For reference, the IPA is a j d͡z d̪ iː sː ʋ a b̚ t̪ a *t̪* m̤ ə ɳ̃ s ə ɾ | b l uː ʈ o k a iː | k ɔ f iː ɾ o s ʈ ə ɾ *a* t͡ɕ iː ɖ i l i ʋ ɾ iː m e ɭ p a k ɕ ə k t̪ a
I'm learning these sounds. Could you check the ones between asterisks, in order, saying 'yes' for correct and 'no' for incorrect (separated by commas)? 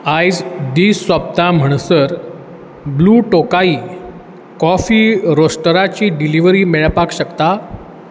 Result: no, yes